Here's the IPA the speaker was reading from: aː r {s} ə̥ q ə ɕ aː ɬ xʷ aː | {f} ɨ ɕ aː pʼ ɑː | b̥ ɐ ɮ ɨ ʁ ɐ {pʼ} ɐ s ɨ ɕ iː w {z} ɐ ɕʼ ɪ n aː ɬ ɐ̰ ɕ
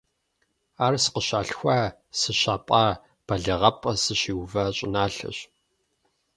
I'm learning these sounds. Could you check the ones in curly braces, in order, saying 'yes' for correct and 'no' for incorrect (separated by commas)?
yes, no, yes, no